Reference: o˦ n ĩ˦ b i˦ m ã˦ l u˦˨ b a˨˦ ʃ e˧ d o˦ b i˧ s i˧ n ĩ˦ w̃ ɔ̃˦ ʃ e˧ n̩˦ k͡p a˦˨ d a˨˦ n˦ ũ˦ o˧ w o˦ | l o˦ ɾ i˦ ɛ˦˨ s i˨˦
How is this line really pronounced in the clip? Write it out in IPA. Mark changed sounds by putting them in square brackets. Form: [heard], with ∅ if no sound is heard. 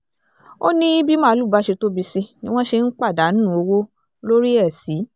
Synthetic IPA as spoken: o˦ n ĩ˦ b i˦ m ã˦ l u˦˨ b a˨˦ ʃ e˧ [t] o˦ b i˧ s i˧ n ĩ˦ w̃ ɔ̃˦ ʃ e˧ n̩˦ k͡p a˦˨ d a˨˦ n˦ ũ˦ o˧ w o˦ | l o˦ ɾ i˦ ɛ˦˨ s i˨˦